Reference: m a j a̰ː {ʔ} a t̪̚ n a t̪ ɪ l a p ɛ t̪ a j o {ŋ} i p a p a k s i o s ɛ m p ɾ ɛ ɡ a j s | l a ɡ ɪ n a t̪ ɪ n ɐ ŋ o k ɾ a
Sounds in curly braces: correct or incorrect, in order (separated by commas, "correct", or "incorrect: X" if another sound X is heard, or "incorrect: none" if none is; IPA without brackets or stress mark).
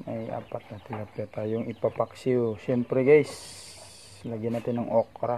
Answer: incorrect: p, correct